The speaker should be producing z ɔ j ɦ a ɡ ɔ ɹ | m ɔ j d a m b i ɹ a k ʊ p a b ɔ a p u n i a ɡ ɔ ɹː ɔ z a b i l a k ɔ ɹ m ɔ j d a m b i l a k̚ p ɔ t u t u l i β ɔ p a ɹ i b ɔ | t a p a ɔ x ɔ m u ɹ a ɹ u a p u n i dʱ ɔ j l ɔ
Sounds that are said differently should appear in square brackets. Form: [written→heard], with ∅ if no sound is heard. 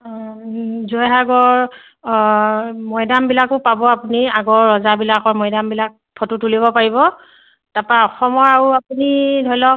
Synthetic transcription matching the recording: z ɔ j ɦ a ɡ ɔ ɹ | m ɔ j d a m b i [ɹ→l] a k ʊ p a b ɔ a p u n i a ɡ ɔ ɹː ɔ z a b i l a k ɔ ɹ m ɔ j d a m b i l a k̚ [p→pʰ] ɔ t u t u l i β ɔ p a ɹ i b ɔ | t a p a ɔ x ɔ m [u→ɔ] ɹ a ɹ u a p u n i dʱ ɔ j l ɔ